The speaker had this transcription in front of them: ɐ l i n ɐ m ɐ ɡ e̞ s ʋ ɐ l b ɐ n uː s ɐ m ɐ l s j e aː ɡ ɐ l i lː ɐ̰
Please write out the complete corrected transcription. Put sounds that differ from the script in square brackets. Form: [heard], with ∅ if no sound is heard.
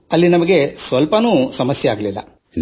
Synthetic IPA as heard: ɐ [lː] i n ɐ m ɐ ɡ e̞ s ʋ ɐ l [p] ɐ n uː s ɐ m ɐ [∅] s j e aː ɡ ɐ l i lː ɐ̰